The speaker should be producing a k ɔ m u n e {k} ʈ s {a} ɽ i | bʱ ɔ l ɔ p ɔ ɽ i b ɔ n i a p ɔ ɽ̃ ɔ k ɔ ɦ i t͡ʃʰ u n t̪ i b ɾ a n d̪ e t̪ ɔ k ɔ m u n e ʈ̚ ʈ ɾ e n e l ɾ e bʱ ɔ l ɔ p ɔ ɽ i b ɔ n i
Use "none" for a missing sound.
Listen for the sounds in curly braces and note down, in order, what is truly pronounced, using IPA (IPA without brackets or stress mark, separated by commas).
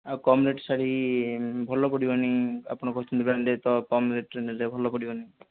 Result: none, a